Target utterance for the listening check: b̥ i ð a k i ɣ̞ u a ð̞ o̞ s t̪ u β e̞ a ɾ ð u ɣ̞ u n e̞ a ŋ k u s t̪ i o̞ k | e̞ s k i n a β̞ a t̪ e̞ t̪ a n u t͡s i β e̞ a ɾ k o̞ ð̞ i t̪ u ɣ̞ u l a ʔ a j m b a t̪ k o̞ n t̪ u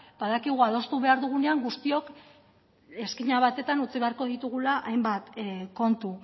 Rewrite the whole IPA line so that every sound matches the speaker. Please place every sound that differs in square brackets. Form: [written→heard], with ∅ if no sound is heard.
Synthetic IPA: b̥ [i→a] ð a k i ɣ̞ u a ð̞ o̞ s t̪ u β e̞ a ɾ ð u ɣ̞ u n e̞ a ŋ [k→ɡ] u s t̪ i o̞ k | e̞ s k i [n→ɲ] a β̞ a t̪ e̞ t̪ a n u t͡s i β e̞ a ɾ k o̞ ð̞ i t̪ u ɣ̞ u l a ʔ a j m b a t̪ k o̞ n t̪ u